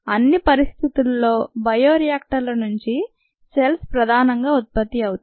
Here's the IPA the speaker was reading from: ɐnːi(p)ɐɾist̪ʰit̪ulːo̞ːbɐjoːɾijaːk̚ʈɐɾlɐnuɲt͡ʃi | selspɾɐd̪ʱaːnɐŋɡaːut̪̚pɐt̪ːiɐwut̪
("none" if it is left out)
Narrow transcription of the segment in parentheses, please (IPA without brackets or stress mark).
p